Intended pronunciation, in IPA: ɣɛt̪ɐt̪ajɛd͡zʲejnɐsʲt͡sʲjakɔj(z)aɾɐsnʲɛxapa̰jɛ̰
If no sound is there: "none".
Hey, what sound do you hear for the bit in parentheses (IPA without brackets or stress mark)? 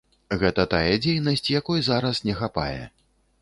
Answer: z